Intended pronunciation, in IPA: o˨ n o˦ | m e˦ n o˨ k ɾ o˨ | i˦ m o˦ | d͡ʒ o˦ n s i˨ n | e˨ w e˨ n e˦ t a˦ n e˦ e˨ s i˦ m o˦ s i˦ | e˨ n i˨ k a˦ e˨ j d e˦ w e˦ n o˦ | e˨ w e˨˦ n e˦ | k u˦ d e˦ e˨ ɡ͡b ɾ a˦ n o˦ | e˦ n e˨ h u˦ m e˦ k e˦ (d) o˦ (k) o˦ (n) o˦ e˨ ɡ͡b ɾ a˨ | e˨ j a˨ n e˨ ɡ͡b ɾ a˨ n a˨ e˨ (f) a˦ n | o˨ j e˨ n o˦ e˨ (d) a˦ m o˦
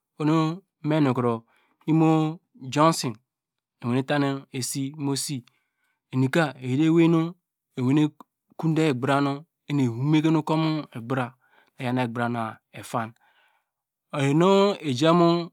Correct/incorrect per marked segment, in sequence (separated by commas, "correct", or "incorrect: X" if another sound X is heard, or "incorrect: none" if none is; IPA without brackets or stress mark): incorrect: n, correct, incorrect: m, correct, incorrect: d͡ʒ